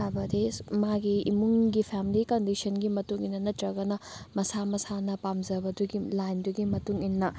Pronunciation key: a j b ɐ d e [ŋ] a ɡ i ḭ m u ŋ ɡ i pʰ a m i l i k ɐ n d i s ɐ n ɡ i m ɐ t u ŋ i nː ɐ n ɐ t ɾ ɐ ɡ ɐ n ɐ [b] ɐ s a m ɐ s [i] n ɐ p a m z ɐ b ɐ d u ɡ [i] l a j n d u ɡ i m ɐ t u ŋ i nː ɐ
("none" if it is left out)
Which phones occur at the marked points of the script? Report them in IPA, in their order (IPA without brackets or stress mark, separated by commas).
m, m, a, i